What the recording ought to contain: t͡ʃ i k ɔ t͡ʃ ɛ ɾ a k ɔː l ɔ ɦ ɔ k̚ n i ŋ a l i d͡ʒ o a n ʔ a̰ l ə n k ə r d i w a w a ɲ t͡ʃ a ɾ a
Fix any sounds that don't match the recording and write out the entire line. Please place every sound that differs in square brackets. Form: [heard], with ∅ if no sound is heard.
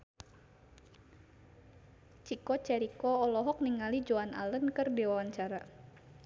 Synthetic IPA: t͡ʃ i k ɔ t͡ʃ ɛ ɾ [i] k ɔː l ɔ ɦ ɔ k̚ n i ŋ a l i d͡ʒ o a n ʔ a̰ l ə n k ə r d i w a w a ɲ t͡ʃ a ɾ a